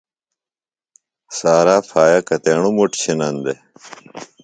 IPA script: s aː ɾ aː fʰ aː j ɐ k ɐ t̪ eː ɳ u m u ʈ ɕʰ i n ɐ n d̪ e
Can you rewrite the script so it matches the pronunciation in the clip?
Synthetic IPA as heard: s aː ɾ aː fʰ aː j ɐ k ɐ t̪ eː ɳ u m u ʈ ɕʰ i n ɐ n d̪ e